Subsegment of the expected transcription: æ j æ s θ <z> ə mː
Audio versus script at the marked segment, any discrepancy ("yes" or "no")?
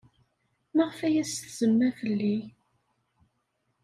no